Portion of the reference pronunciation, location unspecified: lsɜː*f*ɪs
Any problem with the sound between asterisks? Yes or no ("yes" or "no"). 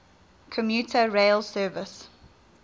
yes